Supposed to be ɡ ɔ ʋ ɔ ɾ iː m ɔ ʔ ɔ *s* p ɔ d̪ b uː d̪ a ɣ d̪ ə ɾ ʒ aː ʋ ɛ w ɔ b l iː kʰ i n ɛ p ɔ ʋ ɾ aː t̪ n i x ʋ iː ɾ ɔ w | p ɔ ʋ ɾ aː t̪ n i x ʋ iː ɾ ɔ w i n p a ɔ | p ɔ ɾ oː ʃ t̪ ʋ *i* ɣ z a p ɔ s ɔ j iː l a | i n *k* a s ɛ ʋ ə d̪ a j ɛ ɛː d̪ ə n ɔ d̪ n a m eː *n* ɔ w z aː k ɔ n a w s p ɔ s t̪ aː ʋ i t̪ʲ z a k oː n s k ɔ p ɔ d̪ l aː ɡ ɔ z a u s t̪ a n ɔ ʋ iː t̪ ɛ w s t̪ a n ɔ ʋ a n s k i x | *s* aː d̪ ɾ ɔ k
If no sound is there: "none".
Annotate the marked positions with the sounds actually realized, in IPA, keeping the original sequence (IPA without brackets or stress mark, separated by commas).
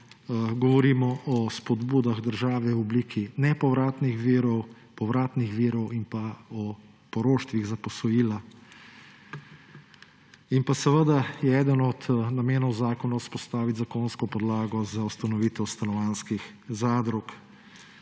s, i, p, n, z